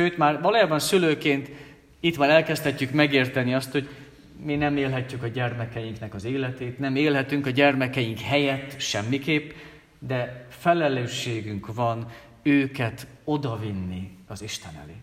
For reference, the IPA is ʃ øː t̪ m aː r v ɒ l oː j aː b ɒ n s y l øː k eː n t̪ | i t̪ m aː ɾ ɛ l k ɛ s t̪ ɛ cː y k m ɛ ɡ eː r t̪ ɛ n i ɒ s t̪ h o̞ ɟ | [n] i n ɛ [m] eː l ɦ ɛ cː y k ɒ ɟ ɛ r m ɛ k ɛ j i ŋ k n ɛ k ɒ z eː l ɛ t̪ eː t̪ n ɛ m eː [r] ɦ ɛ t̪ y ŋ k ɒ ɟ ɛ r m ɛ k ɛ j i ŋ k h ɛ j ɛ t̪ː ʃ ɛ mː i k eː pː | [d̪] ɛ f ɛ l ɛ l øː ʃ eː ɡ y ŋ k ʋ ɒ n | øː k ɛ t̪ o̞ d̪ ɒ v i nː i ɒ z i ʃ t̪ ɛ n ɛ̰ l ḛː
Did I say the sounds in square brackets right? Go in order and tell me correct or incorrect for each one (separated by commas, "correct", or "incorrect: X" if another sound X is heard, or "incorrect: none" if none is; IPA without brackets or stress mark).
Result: incorrect: m, correct, incorrect: l, correct